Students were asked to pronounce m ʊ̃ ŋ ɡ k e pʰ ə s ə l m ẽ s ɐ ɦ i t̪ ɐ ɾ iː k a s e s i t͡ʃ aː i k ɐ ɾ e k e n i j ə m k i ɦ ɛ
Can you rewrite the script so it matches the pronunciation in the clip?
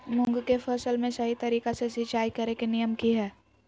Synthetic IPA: m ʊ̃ ŋ ɡ k e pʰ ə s ə l m ẽ s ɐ ɦ i t̪ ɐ ɾ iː k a s e s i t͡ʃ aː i k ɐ ɾ e k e n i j ə m k i ɦ ɛː